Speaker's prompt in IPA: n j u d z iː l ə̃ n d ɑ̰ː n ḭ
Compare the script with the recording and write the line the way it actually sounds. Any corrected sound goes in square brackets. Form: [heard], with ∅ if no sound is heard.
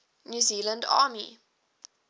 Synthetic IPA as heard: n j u [∅] z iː l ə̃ n d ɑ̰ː [m] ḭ